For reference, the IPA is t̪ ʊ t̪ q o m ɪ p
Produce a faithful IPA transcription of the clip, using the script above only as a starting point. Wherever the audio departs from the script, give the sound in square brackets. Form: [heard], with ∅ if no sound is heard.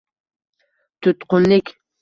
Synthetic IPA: t̪ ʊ t̪ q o [n] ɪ [k]